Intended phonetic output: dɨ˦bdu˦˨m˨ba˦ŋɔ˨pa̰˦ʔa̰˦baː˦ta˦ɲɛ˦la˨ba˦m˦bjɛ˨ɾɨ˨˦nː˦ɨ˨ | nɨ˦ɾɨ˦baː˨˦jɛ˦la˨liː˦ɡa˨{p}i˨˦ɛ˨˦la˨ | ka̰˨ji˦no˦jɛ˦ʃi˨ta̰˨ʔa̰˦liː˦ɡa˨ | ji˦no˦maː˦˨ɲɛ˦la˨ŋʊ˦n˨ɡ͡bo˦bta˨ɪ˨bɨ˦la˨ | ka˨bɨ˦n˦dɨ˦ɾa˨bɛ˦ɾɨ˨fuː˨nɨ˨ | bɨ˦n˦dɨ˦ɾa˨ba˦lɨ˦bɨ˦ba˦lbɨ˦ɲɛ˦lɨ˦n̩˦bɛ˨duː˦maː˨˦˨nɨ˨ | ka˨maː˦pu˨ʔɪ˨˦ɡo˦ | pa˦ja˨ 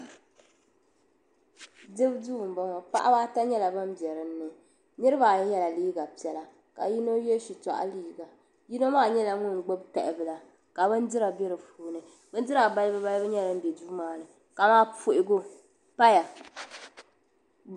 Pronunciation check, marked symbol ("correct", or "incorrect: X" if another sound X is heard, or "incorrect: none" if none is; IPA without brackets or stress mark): correct